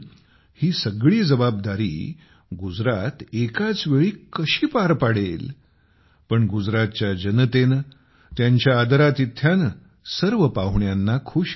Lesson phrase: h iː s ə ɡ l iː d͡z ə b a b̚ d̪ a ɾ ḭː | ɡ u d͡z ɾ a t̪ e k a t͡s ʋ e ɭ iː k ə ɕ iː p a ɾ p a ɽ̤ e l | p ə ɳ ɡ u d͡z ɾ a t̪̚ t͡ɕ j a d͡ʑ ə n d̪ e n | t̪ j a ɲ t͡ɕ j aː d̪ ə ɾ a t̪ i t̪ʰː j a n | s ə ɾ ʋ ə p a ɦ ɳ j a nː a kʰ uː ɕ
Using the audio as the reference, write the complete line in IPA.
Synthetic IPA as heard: h iː s ə ɡ ɭ iː d͡z ə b a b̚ d̪ a ɾ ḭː | ɡ u d͡z ɾ a t̪ e k a t͡s ʋ e ɭ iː k ə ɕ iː p a ɾ p a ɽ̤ e l | p ə ɳ ɡ u d͡z ɾ a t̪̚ t͡ɕ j a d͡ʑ ə n t̪ e n | t̪ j a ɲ t͡ɕ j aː d̪ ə ɾ a t̪ i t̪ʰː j a n | s ə ɾ ʋ ə p a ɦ ɳ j a nː a kʰ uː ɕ